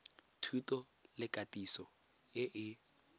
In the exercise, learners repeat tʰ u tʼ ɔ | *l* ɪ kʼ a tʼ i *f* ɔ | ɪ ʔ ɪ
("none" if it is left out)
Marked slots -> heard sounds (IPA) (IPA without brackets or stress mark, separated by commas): l, s